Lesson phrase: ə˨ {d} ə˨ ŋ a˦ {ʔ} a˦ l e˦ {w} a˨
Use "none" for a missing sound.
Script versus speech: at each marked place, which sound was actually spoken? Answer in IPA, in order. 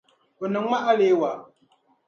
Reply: n, ʔ, w

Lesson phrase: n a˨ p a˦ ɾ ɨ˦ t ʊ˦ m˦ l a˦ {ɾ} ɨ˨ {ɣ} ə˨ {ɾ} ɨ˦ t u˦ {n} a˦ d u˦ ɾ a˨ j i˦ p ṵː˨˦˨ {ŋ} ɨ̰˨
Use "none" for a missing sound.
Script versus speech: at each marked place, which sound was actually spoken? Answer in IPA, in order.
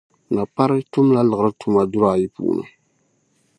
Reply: l, ɣ, ɾ, m, n

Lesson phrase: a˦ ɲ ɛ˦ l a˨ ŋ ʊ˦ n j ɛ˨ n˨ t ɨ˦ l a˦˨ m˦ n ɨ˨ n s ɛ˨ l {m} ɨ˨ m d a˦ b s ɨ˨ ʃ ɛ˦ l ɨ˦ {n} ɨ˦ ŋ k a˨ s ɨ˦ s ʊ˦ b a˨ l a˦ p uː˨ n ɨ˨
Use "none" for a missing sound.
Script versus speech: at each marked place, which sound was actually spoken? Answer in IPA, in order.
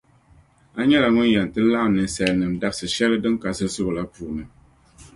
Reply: n, d

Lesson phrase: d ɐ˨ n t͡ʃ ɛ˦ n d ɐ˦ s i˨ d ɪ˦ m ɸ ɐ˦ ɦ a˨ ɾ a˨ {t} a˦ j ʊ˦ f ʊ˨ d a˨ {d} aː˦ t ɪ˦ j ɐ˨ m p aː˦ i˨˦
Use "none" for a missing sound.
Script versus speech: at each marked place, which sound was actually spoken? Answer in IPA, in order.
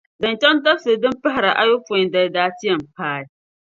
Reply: ʔ, d

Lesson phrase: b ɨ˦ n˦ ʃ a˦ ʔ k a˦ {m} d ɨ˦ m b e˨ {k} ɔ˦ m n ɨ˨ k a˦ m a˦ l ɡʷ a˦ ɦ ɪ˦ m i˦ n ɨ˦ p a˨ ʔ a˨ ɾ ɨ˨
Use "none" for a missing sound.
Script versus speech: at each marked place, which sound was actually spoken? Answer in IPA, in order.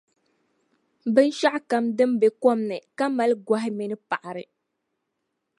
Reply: m, k

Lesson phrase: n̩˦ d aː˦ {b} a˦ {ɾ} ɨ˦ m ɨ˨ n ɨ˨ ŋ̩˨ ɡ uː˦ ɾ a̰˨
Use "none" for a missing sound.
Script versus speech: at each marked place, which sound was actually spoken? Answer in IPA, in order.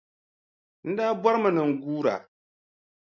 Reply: b, ɾ

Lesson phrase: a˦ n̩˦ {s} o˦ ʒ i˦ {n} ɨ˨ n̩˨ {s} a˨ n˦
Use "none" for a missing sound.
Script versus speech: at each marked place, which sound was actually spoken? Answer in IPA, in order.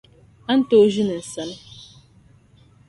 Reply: t, n, s

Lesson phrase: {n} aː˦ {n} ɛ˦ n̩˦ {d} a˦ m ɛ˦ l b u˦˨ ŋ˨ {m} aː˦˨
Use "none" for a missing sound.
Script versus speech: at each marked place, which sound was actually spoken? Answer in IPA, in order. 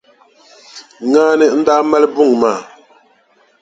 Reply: ŋ, n, d, m

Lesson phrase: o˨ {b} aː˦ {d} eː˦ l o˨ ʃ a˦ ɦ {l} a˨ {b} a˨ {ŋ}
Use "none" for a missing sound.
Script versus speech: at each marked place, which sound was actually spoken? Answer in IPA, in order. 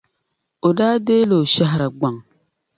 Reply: d, d, ɾ, ɡ͡b, ŋ

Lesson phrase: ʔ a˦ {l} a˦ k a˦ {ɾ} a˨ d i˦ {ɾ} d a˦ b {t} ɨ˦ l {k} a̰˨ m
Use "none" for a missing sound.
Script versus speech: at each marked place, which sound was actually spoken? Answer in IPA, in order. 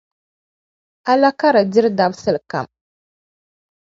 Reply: l, ɾ, ɾ, s, k

